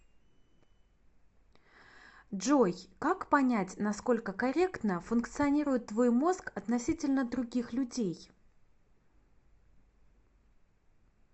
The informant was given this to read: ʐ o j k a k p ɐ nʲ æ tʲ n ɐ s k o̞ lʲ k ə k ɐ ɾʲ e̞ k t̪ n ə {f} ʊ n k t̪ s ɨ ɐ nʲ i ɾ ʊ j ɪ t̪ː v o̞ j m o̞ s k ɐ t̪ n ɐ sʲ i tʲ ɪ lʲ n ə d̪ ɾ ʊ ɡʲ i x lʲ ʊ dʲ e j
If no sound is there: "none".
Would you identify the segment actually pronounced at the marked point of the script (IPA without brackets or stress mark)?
f